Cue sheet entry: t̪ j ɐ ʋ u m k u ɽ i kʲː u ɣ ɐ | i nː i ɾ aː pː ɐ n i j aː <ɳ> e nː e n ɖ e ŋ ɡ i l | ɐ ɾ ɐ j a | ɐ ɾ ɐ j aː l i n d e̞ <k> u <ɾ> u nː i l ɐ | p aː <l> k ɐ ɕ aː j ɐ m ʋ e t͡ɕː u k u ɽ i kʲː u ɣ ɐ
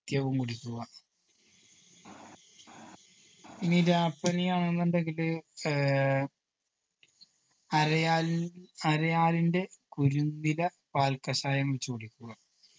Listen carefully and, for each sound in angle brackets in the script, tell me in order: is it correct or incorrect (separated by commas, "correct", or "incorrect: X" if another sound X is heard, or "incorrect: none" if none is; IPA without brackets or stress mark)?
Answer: correct, correct, correct, correct